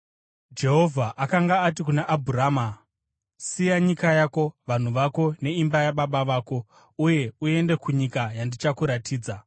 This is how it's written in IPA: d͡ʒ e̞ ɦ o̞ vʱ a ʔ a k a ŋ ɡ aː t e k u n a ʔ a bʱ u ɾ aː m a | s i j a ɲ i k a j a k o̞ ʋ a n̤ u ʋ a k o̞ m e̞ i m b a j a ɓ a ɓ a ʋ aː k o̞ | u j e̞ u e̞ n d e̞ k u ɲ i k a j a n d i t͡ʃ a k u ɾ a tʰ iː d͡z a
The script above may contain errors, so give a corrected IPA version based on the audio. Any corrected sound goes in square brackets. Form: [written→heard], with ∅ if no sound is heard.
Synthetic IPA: d͡ʒ e̞ ɦ o̞ vʱ a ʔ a k a ŋ ɡ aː t [e→i] k u n a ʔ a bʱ u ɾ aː m a | s i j a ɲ i k a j a k o̞ ʋ a n̤ u ʋ a k o̞ [m→n] e̞ i m b a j a ɓ a ɓ a ʋ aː k o̞ | u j e̞ u e̞ n d e̞ k u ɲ i k a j a n d i t͡ʃ a k u ɾ a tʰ iː d͡z a